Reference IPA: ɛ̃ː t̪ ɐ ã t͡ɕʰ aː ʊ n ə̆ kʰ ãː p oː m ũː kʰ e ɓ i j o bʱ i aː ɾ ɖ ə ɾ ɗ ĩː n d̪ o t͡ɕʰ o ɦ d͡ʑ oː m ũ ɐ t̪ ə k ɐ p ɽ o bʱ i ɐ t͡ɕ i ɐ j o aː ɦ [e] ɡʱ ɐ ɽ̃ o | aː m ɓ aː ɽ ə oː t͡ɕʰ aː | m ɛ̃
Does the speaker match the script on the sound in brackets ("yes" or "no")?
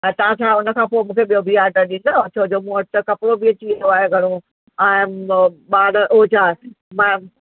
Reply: yes